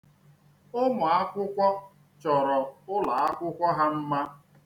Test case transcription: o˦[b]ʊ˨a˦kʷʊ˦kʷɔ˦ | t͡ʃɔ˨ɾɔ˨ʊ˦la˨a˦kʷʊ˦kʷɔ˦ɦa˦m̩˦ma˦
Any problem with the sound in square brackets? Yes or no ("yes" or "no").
yes